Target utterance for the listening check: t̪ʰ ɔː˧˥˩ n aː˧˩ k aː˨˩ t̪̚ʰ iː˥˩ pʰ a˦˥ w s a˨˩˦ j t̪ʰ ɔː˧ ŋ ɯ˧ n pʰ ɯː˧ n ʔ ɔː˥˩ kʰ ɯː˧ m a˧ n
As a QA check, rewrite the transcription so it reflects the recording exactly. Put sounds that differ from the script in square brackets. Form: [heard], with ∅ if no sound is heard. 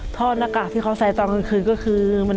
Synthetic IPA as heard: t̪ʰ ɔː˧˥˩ n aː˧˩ k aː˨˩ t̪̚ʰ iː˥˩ [kʰ] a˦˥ w s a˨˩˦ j [t̪] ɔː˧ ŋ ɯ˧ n [kʰ] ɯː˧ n [k] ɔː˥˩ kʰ ɯː˧ m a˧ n